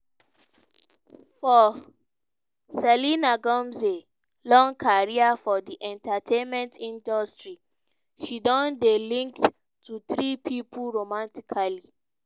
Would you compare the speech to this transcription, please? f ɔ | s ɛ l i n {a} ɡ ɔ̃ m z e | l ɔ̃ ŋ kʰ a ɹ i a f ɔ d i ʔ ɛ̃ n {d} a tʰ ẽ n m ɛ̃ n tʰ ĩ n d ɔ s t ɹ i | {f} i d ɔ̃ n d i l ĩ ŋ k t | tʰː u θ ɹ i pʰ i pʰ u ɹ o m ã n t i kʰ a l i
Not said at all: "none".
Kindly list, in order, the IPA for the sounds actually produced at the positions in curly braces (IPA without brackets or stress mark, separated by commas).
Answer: a, t, ʃ